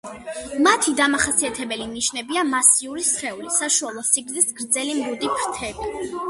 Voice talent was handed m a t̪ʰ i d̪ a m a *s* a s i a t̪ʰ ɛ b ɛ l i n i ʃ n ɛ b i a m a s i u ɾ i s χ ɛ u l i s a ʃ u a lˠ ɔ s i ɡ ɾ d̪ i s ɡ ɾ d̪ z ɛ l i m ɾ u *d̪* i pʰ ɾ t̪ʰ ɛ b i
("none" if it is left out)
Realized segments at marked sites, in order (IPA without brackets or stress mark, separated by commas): χ, d̪